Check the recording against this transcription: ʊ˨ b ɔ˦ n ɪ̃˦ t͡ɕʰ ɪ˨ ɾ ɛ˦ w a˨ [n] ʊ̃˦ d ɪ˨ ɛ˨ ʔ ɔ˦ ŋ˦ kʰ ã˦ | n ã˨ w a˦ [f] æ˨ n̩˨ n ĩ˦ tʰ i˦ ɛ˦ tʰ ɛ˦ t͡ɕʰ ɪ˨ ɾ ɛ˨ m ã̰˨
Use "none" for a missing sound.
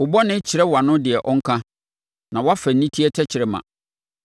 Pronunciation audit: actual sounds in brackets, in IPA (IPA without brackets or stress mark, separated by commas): n, f